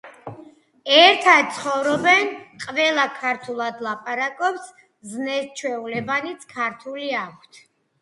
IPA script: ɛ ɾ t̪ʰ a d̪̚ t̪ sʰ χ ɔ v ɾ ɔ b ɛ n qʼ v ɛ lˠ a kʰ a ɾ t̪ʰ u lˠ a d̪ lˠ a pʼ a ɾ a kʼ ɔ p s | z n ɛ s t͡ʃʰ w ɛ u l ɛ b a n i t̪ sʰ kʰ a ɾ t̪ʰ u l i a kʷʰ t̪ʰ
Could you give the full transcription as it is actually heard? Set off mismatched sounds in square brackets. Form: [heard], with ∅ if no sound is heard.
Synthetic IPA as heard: ɛ ɾ t̪ʰ a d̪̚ t̪ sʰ χ ɔ v ɾ ɔ b ɛ n qʼ v ɛ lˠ a kʰ a ɾ t̪ʰ u lˠ a d̪ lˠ a pʼ a ɾ a kʼ ɔ p s | z n ɛ s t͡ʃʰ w ɛ u l ɛ b a n i t̪ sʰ kʰ a ɾ t̪ʰ u l i a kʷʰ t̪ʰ